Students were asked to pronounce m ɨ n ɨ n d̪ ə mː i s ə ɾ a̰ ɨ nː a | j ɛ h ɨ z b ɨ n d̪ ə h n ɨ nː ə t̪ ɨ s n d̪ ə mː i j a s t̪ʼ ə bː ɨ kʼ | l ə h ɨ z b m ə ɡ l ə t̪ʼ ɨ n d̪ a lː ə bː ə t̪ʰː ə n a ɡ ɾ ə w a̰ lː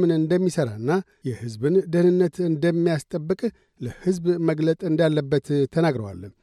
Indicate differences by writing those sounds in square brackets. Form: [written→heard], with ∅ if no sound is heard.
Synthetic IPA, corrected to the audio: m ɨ n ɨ n d̪ ə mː i s ə ɾ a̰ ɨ nː a | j ɛ h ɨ z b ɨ n d̪ ə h n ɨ nː ə t̪ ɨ [s→∅] n d̪ ə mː i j a s t̪ʼ ə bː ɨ kʼ | l ə h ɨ z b m ə ɡ l ə t̪ʼ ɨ n d̪ a lː ə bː ə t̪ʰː ə n a ɡ ɾ ə w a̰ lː